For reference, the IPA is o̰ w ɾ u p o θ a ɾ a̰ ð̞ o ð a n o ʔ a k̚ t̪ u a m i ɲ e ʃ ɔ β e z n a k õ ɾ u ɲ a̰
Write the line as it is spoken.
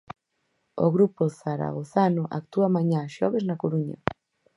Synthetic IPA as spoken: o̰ ɣ ɾ u p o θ a ɾ a̰ ɣ̞ o θ a n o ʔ a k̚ t̪ u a m a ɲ a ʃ ɔ β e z n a k o ɾ u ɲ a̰